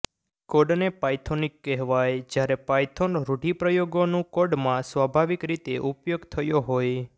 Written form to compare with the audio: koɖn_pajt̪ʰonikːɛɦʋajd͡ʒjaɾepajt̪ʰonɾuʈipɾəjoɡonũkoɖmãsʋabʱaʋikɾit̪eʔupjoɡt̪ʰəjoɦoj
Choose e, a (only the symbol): e